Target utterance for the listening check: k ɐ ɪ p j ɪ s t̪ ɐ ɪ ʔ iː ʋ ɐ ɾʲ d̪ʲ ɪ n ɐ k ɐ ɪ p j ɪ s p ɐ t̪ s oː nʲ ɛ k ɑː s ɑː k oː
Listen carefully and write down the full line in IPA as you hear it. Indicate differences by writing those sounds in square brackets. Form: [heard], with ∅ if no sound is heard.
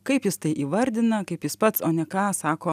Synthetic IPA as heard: k ɐ ɪ p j ɪ s t̪ ɐ ɪ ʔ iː ʋ ɐ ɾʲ d̪ʲ ɪ n ɐ k ɐ ɪ p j ɪ s p ɐ t̪ s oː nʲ ɛ k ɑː s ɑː k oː